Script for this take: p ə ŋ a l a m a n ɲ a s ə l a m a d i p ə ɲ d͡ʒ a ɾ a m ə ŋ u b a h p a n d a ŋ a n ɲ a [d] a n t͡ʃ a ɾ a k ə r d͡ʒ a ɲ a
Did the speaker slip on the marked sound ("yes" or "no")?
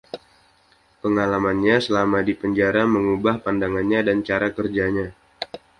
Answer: no